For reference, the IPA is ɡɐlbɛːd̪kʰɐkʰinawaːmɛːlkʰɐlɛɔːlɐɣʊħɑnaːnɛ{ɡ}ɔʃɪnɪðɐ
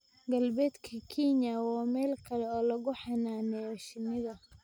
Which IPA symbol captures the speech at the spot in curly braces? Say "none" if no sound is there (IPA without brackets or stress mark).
none